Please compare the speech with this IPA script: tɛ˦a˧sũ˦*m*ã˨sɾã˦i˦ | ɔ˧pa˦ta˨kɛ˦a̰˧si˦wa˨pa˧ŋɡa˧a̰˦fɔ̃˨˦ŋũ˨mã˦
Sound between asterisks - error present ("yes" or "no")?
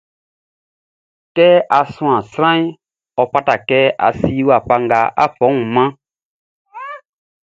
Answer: yes